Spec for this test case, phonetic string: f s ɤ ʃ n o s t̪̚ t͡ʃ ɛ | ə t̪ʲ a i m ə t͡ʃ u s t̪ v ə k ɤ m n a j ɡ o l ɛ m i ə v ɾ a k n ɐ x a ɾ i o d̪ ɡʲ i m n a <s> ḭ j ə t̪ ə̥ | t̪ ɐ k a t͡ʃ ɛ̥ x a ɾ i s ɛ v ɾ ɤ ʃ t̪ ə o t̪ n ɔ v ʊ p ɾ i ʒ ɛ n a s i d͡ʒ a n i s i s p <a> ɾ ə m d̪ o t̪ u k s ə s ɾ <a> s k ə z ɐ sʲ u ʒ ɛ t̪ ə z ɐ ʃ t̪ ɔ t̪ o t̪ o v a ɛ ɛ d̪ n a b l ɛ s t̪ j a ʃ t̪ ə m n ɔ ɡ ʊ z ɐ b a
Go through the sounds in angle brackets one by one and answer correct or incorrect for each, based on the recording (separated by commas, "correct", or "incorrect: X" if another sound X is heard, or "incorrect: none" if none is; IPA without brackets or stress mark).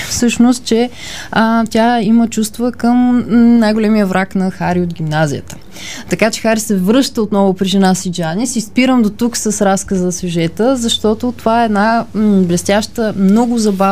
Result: incorrect: z, incorrect: i, correct